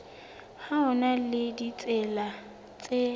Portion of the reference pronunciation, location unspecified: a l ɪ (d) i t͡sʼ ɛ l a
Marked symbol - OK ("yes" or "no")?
yes